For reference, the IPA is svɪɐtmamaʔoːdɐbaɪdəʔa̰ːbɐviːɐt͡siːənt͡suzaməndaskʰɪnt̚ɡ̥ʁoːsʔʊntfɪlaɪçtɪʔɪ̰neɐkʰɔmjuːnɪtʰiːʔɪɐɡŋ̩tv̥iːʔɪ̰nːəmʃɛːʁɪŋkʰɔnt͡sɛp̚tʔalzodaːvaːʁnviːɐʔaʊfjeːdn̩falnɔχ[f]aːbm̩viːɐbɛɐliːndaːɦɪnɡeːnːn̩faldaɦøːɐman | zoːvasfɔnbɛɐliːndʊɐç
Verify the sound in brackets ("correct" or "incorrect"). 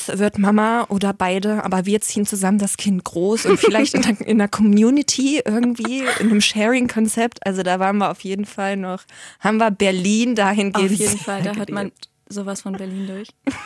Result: incorrect